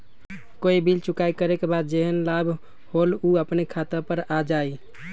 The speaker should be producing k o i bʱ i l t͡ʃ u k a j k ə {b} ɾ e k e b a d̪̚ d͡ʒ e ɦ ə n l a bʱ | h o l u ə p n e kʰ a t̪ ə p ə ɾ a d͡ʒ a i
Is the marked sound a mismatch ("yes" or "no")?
yes